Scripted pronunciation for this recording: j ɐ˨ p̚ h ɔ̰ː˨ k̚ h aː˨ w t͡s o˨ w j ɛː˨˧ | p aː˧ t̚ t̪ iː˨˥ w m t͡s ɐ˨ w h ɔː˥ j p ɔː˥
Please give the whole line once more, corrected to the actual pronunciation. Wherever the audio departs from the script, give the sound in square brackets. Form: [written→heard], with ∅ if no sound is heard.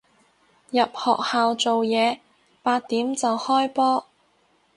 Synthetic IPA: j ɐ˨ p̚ h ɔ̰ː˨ k̚ h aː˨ w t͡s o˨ w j ɛː˨˧ | p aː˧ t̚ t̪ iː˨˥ [w→∅] m t͡s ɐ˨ w h ɔː˥ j p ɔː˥

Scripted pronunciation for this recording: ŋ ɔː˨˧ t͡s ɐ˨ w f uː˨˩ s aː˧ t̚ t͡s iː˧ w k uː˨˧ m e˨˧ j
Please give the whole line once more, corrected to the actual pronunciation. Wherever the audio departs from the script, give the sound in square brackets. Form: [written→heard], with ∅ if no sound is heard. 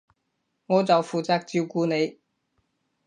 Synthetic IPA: ŋ ɔː˨˧ t͡s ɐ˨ w f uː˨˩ [s→t͡s] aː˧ [t̚→k̚] t͡s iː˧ w k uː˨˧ [m→n] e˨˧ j

